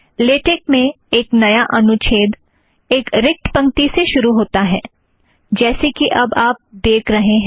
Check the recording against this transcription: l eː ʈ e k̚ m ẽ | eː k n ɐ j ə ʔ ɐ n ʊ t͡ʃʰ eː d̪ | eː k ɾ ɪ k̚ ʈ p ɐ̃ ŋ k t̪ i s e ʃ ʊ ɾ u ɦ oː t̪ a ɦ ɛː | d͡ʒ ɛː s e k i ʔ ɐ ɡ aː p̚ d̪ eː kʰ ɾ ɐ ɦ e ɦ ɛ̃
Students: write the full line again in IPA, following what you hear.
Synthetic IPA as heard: l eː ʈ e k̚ m ẽ | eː k n ɐ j a ʔ ɐ n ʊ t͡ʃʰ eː d̪ | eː k ɾ ɪ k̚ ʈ p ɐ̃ ŋ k t̪ i s e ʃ ʊ ɾ u ɦ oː t̪ a ɦ ɛː | d͡ʒ ɛː s e k i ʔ ɐ b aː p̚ d̪ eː kʰ ɾ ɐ ɦ e ɦ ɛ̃